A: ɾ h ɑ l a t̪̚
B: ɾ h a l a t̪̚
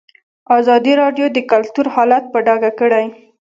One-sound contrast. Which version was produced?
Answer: A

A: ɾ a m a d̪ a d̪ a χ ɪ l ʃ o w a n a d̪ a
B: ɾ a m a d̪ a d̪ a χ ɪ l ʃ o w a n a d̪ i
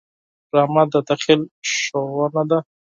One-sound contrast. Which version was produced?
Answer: A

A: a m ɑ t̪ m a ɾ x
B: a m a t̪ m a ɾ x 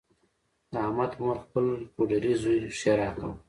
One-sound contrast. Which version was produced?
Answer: B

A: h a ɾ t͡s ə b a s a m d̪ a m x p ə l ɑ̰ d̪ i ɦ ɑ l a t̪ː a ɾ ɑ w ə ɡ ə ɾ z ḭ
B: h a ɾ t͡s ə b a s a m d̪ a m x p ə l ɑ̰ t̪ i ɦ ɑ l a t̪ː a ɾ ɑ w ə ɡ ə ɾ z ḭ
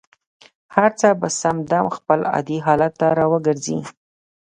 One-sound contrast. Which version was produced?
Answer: A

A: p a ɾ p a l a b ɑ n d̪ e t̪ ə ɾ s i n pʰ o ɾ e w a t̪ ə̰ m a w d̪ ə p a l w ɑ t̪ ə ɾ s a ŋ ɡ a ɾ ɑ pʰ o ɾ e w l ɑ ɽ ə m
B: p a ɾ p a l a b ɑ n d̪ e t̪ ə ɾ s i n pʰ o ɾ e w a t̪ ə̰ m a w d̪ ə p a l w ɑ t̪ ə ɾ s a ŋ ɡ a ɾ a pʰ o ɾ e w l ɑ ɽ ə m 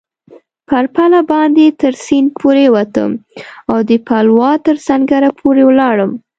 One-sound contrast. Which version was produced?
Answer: B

